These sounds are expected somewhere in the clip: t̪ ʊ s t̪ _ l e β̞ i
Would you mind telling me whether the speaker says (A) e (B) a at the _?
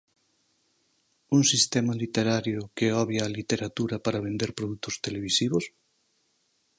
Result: A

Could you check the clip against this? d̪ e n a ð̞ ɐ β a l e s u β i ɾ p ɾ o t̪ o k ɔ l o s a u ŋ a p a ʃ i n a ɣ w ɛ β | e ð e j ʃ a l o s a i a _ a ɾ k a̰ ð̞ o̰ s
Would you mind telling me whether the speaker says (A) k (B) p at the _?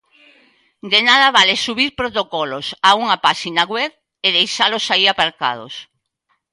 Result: B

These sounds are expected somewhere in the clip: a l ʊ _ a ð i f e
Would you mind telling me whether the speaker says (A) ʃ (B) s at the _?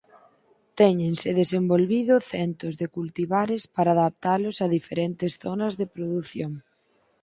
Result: B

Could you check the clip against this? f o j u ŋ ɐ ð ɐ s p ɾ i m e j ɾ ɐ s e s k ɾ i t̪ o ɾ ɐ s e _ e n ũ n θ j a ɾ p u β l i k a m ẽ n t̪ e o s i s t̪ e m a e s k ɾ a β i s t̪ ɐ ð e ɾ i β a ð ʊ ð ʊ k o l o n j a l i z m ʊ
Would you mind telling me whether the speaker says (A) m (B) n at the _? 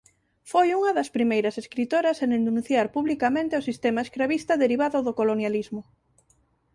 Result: B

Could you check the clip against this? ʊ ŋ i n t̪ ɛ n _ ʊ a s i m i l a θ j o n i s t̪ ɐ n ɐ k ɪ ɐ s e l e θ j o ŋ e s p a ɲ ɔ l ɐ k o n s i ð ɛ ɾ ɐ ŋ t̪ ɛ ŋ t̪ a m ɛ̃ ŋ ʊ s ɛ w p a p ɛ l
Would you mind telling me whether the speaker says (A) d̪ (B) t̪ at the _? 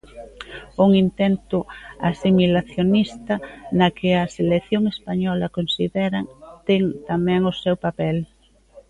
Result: B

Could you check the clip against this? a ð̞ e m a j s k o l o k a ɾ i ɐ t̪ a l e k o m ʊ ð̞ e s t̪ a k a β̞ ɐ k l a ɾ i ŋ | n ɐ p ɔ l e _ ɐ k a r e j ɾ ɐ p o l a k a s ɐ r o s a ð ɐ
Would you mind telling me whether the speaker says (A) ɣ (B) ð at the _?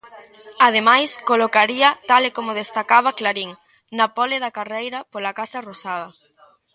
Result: B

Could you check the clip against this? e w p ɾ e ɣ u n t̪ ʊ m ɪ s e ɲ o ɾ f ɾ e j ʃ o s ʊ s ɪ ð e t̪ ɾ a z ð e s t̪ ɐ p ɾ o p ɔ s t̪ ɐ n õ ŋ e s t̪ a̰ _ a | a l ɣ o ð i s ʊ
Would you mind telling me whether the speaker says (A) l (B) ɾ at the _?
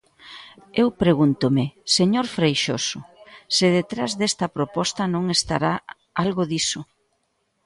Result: B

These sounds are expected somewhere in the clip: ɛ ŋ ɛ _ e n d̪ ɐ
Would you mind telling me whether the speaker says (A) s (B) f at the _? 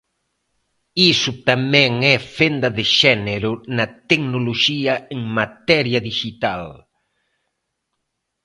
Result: B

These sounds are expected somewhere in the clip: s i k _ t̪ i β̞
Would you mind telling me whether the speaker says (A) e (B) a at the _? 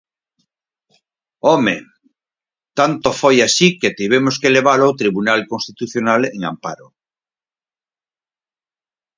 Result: A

